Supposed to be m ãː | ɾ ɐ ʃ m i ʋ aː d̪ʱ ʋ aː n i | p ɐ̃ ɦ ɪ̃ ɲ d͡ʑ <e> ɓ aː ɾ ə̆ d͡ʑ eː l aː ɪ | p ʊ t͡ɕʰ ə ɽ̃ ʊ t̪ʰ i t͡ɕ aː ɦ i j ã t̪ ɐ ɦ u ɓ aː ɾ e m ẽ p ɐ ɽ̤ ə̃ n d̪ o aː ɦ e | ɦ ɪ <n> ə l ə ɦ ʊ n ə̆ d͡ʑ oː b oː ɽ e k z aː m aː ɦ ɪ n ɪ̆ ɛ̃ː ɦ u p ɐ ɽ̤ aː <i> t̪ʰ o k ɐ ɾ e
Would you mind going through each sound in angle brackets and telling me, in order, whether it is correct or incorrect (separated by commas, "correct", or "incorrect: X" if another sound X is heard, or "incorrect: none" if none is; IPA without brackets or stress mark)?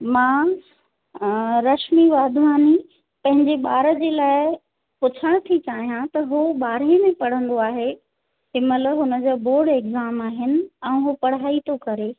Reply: correct, incorrect: m, correct